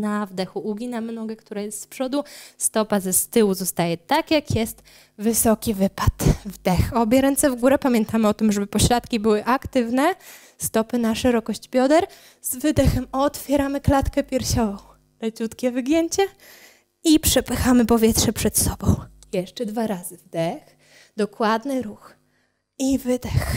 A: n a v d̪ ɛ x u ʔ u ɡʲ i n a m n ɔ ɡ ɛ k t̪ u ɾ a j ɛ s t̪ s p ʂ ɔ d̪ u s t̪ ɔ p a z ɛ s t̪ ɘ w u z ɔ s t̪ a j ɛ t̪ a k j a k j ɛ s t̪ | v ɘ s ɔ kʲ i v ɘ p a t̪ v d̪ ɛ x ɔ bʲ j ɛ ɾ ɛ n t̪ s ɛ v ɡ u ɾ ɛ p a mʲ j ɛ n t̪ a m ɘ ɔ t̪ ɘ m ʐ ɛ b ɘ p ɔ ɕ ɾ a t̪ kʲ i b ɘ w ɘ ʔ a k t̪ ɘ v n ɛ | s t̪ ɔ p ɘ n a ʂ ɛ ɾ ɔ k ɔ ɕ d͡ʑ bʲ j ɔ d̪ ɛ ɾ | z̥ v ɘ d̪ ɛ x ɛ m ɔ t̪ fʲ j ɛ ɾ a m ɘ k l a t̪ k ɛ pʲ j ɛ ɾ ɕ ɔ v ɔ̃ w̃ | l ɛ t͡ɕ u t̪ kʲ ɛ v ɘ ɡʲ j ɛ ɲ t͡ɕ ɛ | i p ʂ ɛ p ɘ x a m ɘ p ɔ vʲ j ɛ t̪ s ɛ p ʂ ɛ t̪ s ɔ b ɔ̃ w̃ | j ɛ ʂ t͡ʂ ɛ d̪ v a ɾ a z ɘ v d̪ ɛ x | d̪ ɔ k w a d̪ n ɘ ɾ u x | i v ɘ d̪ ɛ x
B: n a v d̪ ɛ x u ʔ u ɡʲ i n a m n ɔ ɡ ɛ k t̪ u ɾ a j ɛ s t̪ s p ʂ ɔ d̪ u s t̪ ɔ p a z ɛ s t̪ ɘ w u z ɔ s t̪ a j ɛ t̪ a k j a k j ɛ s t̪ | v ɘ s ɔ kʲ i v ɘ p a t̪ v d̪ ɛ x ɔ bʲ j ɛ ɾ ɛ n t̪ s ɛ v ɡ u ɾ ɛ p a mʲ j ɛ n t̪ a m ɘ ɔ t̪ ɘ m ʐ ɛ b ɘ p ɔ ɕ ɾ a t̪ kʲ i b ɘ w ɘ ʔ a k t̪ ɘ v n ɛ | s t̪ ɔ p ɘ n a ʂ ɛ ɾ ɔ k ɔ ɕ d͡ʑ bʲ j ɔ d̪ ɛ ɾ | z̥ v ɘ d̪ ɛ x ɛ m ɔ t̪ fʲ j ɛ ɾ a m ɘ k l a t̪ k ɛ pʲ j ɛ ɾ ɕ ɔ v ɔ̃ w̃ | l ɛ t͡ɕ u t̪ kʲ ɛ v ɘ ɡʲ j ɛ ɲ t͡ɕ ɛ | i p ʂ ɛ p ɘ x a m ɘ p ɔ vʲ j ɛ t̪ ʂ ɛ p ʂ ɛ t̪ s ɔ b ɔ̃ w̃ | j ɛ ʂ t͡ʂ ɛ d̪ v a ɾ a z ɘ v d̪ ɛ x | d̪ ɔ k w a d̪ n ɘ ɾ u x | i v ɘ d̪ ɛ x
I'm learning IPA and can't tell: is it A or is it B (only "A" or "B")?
B